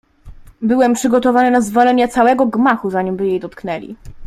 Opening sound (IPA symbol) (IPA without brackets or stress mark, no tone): b